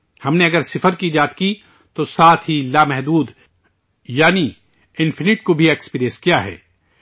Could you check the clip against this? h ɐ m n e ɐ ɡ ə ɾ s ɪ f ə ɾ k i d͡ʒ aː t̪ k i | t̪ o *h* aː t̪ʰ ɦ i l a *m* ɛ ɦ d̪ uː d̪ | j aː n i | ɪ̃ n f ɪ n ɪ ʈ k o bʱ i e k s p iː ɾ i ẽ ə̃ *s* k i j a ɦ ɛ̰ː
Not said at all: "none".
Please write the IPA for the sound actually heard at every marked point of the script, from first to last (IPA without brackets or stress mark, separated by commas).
s, m, s